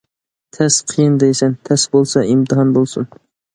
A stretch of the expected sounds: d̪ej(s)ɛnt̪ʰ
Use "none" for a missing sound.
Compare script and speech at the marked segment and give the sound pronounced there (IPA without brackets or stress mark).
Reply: s